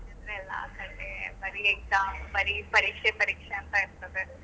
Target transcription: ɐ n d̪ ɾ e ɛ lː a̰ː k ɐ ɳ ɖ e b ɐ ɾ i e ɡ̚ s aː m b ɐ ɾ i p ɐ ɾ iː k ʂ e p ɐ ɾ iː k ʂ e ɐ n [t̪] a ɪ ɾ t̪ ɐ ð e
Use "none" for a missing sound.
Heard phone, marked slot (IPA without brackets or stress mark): t̪